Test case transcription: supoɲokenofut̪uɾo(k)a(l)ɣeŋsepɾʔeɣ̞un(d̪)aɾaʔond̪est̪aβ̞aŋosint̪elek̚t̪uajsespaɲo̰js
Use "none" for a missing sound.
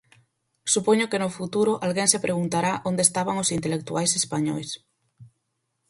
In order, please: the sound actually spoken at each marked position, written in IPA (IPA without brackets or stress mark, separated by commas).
ʔ, l, t̪